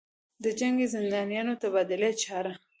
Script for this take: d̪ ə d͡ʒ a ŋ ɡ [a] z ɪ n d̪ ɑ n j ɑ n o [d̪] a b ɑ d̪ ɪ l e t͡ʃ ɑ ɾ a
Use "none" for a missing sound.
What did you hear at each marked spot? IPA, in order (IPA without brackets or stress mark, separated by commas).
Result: e, t̪